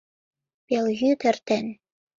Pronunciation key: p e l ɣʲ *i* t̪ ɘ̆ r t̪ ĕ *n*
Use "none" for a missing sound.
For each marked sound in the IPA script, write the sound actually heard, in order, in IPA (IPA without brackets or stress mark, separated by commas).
y, n